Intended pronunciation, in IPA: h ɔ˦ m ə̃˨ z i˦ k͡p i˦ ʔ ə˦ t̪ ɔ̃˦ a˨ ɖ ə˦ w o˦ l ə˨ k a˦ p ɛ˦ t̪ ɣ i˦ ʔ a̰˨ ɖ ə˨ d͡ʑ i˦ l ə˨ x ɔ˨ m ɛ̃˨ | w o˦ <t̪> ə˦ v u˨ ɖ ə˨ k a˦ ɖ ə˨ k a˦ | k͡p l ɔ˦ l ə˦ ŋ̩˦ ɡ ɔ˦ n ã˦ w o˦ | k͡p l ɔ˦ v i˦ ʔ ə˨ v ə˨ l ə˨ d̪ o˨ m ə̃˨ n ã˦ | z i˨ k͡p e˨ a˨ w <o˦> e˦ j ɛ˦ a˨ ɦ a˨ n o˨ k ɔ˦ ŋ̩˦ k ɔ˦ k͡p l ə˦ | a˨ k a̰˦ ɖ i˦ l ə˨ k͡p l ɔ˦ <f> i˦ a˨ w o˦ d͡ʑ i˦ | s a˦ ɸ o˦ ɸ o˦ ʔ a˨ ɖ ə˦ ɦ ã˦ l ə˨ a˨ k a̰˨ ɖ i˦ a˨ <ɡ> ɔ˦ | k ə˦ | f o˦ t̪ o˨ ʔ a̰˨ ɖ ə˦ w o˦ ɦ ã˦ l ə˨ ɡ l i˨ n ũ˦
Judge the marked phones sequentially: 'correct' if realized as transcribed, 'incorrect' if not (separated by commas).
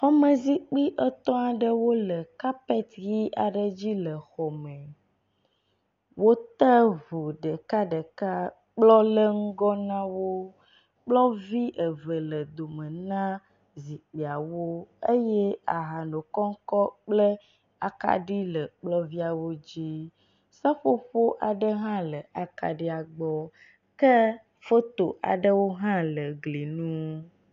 correct, correct, incorrect, incorrect